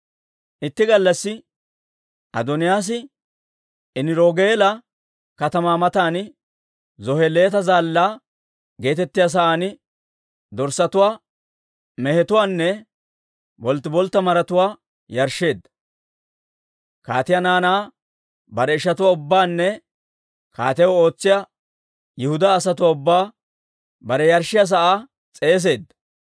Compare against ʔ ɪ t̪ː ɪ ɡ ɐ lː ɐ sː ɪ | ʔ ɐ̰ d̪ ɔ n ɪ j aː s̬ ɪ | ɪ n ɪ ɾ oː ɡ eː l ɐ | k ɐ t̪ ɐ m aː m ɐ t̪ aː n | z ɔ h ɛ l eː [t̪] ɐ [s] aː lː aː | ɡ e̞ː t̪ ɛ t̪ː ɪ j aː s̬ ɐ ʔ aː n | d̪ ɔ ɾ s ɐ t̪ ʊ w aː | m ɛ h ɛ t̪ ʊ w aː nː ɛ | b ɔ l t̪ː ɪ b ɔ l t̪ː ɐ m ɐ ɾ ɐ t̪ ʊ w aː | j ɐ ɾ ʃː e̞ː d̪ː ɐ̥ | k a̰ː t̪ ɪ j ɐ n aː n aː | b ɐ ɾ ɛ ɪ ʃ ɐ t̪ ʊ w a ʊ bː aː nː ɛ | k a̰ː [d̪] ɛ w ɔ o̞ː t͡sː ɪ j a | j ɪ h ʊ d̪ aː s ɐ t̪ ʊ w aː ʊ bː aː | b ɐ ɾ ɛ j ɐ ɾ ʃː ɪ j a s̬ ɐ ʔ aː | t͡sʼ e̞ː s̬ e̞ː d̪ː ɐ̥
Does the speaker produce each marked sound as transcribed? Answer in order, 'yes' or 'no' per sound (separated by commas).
yes, no, no